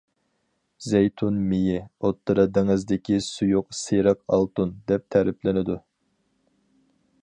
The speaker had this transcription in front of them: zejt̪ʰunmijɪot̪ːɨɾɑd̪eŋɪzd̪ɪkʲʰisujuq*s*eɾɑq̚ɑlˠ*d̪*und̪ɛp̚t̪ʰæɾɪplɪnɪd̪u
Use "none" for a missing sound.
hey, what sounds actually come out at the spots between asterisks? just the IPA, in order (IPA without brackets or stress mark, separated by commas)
s, t̪